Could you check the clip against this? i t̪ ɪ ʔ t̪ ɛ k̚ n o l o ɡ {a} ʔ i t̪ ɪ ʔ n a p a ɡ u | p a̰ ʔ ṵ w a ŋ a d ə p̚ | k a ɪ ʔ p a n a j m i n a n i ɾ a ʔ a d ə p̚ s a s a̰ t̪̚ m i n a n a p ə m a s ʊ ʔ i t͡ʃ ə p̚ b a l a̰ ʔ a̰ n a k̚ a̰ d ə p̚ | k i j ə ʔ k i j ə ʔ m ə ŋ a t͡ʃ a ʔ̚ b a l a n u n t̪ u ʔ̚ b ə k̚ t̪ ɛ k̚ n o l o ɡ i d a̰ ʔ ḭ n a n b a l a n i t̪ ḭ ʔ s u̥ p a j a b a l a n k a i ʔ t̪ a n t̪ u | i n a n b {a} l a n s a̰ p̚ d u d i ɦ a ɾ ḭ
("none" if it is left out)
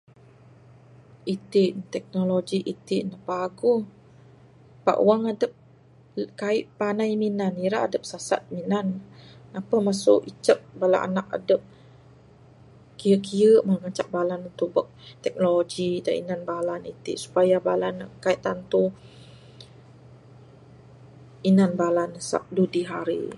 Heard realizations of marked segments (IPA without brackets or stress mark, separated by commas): i, a